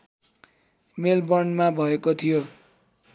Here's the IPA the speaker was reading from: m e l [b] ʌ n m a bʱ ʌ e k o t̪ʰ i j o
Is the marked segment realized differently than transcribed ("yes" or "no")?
no